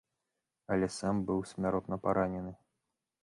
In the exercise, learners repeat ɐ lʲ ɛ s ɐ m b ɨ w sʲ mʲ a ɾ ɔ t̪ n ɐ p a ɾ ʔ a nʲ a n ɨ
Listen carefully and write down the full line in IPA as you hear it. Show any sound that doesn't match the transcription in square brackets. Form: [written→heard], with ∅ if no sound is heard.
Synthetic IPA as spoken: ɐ lʲ ɛ s [ɐ→a] m b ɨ w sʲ mʲ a ɾ ɔ t̪ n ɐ p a ɾ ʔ a nʲ [a→ɛ] n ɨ